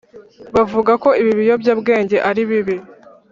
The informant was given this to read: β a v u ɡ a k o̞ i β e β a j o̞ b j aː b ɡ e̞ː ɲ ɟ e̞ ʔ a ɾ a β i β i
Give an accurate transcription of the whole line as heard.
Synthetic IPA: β a v u ɡ a k o̞ i β i β i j o̞ b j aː b ɡ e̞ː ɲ ɟ e̞ ʔ a ɾ i β i β i